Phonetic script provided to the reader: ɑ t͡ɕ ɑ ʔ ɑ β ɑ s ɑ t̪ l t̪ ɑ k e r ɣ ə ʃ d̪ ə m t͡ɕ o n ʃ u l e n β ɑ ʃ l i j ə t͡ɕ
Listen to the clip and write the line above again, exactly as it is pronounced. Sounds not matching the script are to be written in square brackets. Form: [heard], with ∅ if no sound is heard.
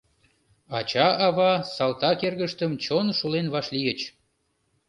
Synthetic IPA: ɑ t͡ɕ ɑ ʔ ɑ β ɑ s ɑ [∅] l t̪ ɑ k e r ɣ ə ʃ [t̪] ə m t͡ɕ o n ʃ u l e n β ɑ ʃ l i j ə t͡ɕ